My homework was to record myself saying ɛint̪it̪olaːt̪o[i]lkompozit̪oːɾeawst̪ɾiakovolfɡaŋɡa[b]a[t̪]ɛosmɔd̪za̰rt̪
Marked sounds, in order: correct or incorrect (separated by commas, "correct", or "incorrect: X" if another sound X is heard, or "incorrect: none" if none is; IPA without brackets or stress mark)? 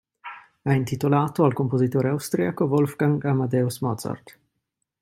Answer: incorrect: a, incorrect: m, incorrect: d̪